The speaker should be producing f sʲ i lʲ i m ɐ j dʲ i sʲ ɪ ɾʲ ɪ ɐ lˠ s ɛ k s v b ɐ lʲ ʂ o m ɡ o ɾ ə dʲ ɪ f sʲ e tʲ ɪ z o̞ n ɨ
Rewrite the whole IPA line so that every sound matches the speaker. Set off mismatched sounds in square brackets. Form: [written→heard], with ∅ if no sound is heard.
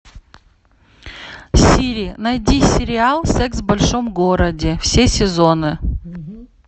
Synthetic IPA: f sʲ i [lʲ→ɾʲ] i [m→n] ɐ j dʲ i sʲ ɪ ɾʲ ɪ [ɐ→a] lˠ s ɛ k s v b ɐ lʲ ʂ o m ɡ o ɾ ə dʲ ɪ f sʲ e [tʲ→sʲ] ɪ z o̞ n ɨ